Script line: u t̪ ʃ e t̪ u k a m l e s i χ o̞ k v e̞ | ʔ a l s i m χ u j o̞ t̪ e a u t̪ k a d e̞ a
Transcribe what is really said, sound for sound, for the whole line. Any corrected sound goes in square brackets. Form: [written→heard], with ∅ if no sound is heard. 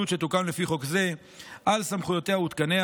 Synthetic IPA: u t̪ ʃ e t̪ u k a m l e [s→f] i χ o̞ k [v→z] e̞ | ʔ a l s [i→a] m χ u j o̞ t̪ e a u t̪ k a [d→n] e̞ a

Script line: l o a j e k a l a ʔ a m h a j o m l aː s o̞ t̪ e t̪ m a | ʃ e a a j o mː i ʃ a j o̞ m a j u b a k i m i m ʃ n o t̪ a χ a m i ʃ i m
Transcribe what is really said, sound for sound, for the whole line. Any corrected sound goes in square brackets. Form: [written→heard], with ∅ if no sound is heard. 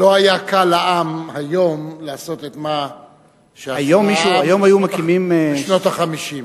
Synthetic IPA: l o a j [e→a] k a l a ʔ a m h a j o m l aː s o̞ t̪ e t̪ m a | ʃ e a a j o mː i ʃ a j o̞ m a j u [b→m] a k i m i m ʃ n o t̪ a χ a m i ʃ i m

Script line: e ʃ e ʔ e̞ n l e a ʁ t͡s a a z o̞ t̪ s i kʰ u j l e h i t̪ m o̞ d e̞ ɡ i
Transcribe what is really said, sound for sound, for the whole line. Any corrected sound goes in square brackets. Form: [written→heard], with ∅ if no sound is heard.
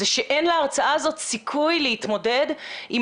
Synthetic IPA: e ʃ e ʔ e̞ n l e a ʁ t͡s a a z o̞ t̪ s i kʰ u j l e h i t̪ m o̞ d e̞ [ɡ→d] i

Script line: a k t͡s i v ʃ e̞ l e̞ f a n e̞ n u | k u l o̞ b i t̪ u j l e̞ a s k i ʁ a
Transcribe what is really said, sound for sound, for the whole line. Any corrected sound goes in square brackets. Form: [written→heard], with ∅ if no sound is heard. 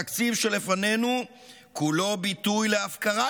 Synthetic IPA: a k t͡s i v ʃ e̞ l e̞ f a n e̞ n u | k u l o̞ b i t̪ u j l e̞ a [s→f] k [i→a] ʁ a

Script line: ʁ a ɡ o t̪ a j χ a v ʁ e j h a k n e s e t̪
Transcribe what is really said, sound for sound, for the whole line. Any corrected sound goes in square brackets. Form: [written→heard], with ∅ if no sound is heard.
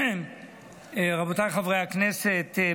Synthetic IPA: ʁ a [ɡ→b] o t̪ a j χ a v ʁ e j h a k n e s e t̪

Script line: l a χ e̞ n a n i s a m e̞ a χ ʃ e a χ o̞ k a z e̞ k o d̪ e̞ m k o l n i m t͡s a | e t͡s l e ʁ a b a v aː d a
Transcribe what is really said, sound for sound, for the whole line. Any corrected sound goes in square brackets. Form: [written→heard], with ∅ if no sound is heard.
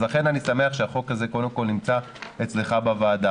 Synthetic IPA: l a χ e̞ n a n i s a m e̞ a χ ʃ e a χ o̞ k a z e̞ k o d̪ e̞ m k o l n i m t͡s a | e t͡s l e [ʁ→χ] a b a v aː d a

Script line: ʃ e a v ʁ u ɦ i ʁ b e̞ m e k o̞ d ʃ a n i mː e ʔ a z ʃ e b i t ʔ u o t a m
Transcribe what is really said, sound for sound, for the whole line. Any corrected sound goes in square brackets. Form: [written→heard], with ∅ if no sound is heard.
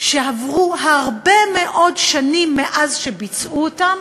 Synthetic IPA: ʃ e a v ʁ u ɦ [i→a] ʁ b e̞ m e [k→ʔ] o̞ d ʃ a n i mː e ʔ a z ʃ e b i [t→t͡s] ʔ u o t a m

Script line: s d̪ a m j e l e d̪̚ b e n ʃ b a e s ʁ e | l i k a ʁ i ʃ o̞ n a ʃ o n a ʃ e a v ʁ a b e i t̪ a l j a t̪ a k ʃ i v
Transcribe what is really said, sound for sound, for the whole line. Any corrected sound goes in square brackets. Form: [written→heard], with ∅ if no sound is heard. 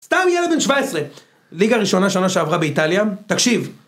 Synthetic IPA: s [d̪→t̪] a m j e l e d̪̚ b e n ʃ [b→v] a e s ʁ e | l i [k→ɡ] a ʁ i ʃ o̞ n a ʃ o n a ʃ e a v ʁ a b e i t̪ a l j a t̪ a k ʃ i v

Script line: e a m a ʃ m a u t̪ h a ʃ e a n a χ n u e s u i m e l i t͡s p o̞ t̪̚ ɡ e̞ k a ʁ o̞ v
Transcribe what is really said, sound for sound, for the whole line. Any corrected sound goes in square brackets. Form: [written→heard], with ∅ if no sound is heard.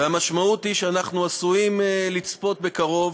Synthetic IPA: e a m a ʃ m a u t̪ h [a→i] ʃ e a n a χ n u [e→a] s u i m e l i t͡s p o̞ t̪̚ [ɡ→b] e̞ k a ʁ o̞ v

